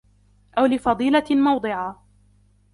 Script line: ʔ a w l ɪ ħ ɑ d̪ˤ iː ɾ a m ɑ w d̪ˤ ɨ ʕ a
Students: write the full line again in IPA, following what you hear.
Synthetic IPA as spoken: ʔ a w l ɪ f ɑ d̪ˤ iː l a m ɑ w d̪ˤ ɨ ʕ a